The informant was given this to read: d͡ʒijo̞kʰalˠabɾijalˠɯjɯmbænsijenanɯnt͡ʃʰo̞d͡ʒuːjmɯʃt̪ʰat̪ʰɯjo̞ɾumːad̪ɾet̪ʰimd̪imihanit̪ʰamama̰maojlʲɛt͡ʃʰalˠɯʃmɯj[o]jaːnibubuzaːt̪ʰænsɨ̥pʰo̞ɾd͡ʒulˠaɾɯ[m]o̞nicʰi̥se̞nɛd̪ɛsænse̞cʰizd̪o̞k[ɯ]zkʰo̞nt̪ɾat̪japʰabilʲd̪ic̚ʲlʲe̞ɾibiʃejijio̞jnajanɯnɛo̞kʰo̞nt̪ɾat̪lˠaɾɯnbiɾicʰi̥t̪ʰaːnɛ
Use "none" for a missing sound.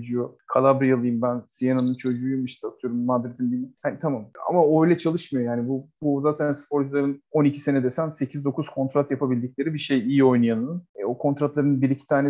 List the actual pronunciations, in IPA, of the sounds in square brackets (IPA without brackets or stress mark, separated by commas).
o, n, u